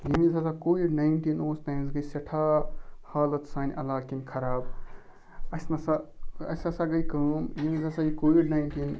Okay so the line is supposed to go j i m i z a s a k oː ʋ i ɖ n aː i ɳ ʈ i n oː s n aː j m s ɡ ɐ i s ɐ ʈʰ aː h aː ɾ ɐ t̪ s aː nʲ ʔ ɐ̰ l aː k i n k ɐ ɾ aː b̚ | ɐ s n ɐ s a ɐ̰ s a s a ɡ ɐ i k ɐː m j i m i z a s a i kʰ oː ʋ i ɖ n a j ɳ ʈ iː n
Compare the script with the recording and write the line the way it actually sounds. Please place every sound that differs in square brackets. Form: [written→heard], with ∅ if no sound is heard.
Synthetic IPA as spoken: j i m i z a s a k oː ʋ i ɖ n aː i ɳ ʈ i n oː s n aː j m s ɡ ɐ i s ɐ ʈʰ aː h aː [ɾ→l] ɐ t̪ s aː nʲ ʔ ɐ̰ l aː k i n [k→kʰ] ɐ ɾ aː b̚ | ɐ s n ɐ s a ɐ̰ s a s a ɡ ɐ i k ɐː m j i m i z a s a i [kʰ→k] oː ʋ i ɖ n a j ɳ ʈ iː n